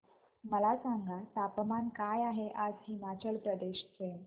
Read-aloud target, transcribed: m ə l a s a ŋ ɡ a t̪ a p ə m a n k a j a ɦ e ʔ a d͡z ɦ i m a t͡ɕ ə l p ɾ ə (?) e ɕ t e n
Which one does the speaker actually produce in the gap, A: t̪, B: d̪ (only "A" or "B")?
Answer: B